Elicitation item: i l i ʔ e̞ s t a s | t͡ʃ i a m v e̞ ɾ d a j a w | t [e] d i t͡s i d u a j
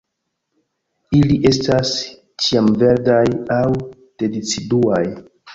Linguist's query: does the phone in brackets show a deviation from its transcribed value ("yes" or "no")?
no